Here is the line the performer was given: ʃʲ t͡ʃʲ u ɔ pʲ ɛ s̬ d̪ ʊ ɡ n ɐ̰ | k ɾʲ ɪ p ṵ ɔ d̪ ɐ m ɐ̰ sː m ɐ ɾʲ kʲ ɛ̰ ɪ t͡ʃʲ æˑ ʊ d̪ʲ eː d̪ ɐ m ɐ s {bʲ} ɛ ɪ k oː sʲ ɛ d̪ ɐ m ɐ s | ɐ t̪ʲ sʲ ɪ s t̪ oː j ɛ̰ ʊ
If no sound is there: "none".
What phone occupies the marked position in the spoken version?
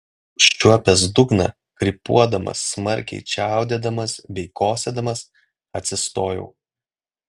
bʲ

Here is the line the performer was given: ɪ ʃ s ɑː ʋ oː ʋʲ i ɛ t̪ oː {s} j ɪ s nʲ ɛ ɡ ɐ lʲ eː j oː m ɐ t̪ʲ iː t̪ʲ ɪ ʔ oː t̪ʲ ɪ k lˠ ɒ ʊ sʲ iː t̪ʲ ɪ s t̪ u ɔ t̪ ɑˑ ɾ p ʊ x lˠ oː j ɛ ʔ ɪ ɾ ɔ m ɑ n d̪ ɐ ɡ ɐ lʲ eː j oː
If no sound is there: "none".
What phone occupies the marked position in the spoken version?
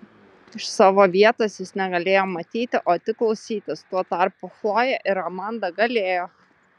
s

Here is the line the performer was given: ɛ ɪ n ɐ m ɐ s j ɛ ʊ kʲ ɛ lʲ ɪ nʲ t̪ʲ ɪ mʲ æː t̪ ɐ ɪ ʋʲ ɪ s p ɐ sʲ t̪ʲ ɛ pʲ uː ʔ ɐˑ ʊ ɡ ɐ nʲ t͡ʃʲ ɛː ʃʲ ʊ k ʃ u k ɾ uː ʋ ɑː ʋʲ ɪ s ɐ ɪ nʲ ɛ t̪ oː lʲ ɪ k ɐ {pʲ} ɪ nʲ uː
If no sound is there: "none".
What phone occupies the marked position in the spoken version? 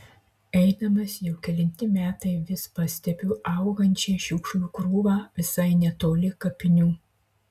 pʲ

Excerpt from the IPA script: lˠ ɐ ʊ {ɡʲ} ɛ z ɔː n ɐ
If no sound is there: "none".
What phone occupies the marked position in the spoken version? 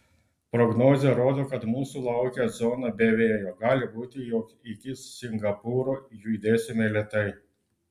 kʲ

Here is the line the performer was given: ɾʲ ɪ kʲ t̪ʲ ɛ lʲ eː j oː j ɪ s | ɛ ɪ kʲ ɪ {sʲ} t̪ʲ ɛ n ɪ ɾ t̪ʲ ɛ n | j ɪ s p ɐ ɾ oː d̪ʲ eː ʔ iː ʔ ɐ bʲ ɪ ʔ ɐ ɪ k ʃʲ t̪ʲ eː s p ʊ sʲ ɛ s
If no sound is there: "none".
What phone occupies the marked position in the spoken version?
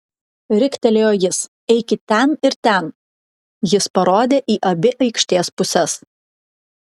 none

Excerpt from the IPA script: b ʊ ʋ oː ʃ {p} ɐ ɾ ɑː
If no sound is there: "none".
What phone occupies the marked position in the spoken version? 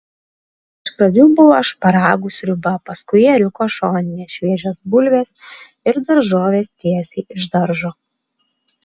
p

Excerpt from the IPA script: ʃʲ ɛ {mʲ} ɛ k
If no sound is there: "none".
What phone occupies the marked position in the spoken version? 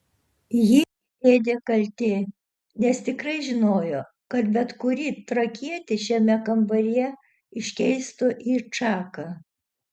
mʲ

